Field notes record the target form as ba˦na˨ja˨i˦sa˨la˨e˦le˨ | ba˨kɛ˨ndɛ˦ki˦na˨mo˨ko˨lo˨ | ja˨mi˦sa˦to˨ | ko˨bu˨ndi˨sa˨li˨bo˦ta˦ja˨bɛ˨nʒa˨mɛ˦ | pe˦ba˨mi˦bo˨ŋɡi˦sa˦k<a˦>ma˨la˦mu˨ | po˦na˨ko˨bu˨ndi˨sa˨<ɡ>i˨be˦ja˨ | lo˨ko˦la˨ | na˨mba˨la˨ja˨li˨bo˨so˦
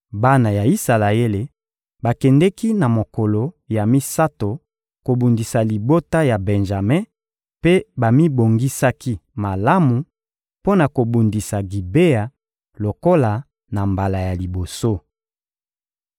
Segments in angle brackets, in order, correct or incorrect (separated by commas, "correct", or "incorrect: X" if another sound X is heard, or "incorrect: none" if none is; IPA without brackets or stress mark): incorrect: i˦, correct